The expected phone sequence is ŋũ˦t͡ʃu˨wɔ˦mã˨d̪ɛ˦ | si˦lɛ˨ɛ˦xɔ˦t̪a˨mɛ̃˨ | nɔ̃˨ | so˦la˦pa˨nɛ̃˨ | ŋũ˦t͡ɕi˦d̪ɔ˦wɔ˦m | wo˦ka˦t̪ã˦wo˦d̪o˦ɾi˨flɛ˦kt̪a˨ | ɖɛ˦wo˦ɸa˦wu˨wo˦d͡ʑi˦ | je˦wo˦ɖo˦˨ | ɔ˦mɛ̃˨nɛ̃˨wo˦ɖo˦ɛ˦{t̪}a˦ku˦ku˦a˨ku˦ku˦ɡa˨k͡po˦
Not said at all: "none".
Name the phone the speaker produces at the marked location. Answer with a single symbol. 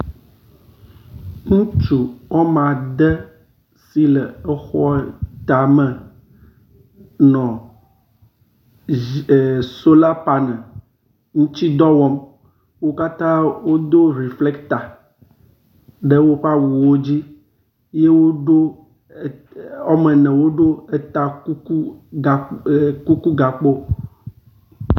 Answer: t̪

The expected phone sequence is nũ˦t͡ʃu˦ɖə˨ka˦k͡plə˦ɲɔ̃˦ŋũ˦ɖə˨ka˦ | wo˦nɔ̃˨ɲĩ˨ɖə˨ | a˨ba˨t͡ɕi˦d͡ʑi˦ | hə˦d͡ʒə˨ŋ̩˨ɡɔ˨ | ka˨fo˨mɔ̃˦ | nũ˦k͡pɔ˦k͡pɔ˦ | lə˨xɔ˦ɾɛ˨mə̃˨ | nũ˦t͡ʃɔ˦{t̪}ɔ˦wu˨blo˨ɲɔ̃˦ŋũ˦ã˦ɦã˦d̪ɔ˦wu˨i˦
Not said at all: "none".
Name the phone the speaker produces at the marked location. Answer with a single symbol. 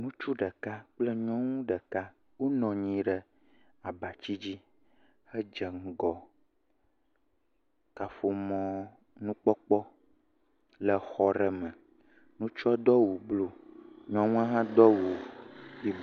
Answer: d̪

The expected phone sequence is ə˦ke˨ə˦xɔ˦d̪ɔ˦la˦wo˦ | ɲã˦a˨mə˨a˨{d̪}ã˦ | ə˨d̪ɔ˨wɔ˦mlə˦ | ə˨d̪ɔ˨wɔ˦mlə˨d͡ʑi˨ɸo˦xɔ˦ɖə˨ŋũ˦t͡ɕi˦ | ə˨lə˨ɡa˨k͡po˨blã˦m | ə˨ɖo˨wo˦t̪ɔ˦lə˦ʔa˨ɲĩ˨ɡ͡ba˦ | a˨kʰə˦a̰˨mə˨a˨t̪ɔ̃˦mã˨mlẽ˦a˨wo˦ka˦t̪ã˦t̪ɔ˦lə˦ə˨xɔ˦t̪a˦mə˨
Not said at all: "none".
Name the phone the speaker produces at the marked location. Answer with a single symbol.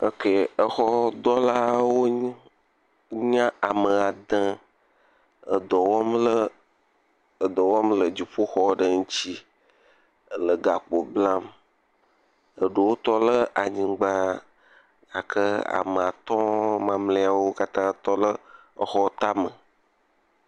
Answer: d̪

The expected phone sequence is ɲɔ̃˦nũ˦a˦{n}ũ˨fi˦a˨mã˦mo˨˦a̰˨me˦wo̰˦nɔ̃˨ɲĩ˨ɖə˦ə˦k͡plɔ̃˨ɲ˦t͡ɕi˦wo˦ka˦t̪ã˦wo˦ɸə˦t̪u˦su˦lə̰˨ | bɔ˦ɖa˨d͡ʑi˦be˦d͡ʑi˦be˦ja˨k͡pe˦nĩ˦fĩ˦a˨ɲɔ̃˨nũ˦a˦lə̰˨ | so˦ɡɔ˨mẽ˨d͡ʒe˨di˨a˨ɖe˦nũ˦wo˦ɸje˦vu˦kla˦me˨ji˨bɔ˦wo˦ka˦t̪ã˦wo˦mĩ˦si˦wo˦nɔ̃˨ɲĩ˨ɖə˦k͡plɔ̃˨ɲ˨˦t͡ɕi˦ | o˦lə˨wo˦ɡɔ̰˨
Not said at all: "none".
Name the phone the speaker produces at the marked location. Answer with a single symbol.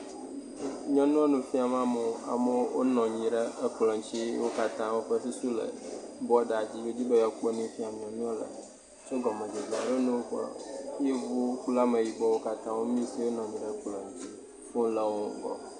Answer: n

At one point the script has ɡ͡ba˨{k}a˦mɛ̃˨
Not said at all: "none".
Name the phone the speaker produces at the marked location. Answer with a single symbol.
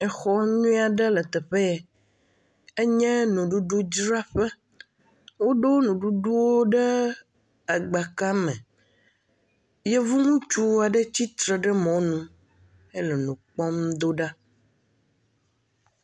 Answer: k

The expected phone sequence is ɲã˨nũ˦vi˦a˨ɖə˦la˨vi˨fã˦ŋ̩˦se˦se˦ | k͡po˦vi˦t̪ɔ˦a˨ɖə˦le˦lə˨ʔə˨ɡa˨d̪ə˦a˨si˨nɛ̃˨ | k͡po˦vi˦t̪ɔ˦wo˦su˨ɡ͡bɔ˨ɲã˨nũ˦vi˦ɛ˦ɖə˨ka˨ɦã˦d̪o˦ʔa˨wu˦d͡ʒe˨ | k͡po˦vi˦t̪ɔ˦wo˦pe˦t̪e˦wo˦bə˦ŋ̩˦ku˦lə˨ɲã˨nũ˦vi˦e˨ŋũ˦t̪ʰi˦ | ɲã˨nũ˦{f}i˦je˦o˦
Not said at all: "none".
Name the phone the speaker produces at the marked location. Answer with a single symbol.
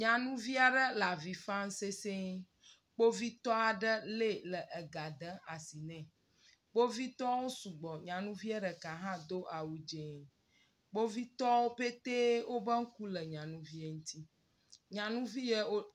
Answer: v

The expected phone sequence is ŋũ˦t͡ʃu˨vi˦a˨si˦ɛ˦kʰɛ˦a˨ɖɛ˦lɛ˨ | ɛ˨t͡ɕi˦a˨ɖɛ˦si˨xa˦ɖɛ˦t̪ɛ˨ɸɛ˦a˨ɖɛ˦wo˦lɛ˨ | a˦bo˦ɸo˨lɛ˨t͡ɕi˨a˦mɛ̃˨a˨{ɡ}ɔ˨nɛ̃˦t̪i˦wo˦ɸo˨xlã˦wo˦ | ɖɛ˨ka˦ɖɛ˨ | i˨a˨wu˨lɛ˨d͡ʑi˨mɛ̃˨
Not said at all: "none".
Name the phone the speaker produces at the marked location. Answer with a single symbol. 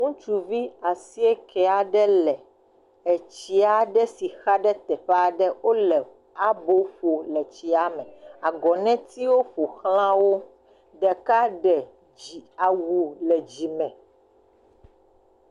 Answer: ɡ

